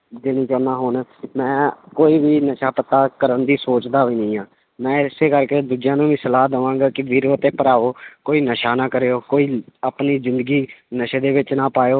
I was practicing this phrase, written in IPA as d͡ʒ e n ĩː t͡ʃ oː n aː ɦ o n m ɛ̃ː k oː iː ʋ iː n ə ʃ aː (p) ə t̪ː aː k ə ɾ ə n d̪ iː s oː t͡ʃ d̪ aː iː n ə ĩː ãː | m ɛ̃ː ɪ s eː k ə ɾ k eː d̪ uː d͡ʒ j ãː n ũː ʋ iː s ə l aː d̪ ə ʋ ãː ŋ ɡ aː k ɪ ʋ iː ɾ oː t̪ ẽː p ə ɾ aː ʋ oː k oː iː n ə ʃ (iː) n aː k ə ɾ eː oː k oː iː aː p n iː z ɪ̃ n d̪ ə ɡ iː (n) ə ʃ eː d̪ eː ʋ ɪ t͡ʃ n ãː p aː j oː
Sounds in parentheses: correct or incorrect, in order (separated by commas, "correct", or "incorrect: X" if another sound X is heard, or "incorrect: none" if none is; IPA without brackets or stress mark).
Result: correct, incorrect: aː, correct